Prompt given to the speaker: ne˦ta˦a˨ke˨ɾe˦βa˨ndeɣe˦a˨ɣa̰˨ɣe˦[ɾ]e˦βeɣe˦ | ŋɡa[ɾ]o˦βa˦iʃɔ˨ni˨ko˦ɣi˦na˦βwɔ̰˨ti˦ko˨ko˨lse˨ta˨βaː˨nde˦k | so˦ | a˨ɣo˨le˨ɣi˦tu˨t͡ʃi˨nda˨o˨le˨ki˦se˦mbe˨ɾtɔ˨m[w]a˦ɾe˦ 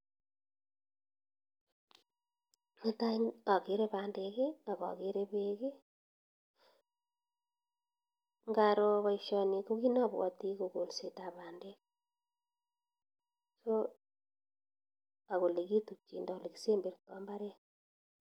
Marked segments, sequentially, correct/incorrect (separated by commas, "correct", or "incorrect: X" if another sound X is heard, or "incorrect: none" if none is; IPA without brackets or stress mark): correct, correct, incorrect: b